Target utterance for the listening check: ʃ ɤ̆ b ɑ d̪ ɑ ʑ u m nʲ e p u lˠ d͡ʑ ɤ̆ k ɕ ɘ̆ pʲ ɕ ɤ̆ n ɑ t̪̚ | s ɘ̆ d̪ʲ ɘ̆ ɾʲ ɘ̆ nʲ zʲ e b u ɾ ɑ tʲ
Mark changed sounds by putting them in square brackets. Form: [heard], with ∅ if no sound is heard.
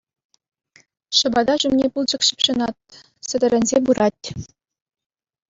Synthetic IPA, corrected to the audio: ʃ ɤ̆ b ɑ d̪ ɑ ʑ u m nʲ e p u lˠ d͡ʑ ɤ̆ k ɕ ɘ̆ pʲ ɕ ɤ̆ n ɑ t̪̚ | s ɘ̆ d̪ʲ ɘ̆ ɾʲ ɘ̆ nʲ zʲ e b u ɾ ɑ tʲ